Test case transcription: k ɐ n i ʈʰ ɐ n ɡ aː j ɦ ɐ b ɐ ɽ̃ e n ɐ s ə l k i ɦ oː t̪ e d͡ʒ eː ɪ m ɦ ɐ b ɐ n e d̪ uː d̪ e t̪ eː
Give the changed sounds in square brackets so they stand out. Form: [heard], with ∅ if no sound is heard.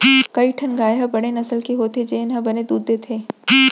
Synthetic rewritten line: k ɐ [∅] i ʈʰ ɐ n ɡ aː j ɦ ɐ b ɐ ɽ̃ e n ɐ s ə l k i ɦ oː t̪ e d͡ʒ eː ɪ [n] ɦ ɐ b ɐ n e d̪ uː d̪ e [t̪ʰ] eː